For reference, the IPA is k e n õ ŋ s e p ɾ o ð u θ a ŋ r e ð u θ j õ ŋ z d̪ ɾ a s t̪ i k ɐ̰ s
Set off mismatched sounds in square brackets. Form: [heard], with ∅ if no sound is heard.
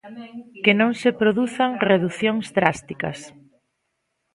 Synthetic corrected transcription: k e n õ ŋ s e p ɾ o ð u θ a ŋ r e ð u θ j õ ŋ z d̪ ɾ a s t̪ i k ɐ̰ s